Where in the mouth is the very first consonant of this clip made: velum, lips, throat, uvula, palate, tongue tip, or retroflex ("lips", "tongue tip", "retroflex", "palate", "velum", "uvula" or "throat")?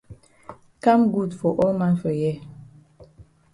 velum